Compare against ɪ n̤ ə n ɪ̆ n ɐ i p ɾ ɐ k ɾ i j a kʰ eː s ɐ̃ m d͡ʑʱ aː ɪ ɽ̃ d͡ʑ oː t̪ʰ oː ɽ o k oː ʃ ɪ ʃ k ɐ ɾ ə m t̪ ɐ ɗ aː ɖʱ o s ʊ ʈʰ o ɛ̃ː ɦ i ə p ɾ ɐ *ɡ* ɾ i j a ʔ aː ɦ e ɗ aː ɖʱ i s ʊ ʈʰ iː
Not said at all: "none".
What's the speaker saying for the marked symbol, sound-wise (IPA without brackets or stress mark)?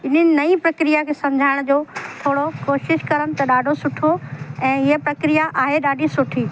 k